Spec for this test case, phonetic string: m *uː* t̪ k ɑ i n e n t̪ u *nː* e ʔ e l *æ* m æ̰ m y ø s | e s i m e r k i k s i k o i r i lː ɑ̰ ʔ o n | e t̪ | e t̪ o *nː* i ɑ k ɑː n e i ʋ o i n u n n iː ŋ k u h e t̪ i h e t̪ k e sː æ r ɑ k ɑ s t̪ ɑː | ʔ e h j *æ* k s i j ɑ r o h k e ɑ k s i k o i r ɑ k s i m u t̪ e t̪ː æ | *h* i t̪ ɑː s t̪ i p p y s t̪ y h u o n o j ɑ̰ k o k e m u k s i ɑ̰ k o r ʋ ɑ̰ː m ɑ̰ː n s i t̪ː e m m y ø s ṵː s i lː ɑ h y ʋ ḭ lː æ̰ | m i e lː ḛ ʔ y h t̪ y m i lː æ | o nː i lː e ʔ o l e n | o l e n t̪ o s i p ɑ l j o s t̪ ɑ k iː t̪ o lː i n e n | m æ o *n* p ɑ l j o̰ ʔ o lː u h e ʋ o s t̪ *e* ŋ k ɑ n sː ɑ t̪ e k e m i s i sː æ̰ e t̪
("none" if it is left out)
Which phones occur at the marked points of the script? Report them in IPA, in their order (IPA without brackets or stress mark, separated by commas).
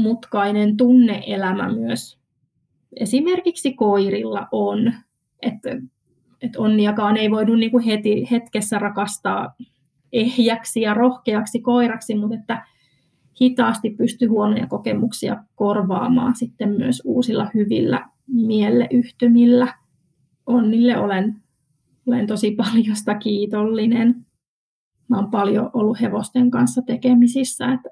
u, nː, æ, nː, æ, h, m, e